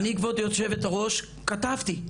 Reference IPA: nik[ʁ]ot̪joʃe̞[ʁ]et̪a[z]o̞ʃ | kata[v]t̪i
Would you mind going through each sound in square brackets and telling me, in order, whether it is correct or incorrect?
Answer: incorrect, incorrect, incorrect, correct

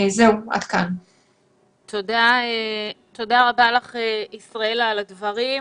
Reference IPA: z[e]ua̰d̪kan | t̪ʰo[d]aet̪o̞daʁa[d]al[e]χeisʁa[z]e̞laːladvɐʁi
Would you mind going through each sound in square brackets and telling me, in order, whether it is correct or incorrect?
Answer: correct, correct, incorrect, incorrect, incorrect

